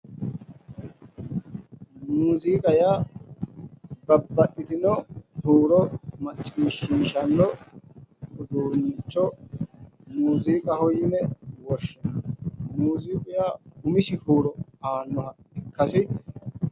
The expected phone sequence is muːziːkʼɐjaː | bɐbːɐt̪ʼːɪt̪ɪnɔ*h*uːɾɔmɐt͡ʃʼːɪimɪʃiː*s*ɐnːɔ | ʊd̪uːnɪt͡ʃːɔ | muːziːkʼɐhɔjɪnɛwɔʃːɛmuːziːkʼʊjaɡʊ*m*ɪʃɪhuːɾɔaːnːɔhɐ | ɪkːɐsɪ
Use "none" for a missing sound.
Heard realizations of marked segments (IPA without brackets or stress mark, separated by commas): h, ʃ, m